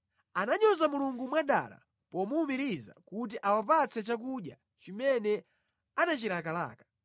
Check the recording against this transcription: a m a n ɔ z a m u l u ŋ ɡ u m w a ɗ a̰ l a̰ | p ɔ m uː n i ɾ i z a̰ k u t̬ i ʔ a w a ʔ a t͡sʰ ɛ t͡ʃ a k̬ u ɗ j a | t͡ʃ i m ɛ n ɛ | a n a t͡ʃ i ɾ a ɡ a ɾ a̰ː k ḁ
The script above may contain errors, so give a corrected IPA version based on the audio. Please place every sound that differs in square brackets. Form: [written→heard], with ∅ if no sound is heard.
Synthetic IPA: a [m→n] a [n→ɲ] ɔ z a m u l u ŋ ɡ u m w a ɗ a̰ l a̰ | p ɔ m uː [n→m] i ɾ i z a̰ k u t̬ i ʔ a w a [ʔ→p] a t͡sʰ ɛ t͡ʃ a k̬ u ɗ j a | t͡ʃ i m ɛ n ɛ | a n a t͡ʃ i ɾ a [ɡ→k] a [ɾ→l] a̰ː k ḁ